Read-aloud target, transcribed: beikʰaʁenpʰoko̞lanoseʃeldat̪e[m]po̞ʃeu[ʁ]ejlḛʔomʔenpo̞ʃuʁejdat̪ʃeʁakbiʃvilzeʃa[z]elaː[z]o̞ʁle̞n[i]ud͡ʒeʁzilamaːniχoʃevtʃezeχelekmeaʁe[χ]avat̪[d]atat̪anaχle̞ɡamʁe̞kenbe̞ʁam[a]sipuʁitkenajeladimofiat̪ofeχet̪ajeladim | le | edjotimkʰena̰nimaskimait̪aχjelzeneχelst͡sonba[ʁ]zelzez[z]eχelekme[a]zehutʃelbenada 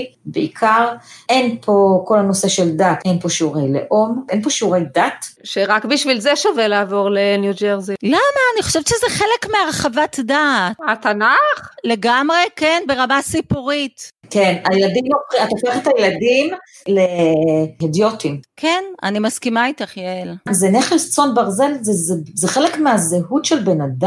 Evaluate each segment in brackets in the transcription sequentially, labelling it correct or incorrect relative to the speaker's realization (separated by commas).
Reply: incorrect, correct, incorrect, incorrect, incorrect, correct, correct, correct, correct, correct, correct